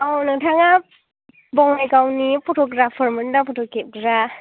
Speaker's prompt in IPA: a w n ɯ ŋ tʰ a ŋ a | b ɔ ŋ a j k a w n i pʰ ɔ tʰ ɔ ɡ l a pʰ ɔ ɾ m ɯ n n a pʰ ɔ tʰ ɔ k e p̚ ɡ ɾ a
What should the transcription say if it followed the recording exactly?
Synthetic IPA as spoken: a w n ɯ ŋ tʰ a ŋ a | b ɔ ŋ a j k a w n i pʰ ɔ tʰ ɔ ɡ ɾ a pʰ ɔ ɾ m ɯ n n a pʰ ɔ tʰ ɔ k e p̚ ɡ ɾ a